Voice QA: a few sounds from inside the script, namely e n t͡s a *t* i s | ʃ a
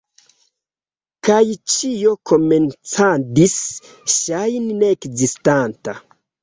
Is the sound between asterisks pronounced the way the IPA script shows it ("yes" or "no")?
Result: no